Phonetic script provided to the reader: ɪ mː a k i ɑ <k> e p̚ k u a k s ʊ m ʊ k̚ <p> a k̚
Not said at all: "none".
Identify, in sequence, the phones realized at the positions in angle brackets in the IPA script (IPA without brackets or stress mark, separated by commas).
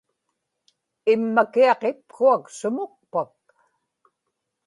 q, p